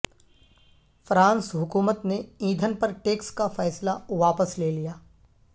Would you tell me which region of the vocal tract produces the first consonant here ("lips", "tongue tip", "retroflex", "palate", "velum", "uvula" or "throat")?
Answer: lips